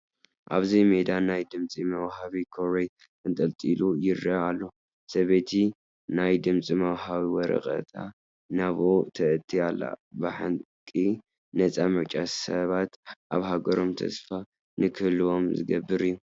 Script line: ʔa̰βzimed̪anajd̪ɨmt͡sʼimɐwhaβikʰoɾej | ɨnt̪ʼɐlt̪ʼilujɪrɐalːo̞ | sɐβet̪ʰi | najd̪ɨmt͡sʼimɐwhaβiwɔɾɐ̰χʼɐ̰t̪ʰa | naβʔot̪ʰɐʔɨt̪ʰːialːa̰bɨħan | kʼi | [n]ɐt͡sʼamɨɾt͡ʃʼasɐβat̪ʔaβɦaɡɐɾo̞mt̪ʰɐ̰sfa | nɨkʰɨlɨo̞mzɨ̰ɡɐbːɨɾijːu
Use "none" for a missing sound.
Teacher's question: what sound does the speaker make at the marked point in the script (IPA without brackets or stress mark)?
n